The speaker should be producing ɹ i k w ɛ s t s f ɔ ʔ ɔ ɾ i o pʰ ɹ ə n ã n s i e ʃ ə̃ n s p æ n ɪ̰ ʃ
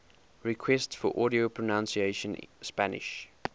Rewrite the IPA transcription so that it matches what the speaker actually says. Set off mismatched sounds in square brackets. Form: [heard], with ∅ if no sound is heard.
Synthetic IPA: ɹ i [kʰ] w ɛ s t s f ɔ ʔ ɔ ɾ i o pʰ ɹ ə n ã n s i e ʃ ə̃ n s p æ n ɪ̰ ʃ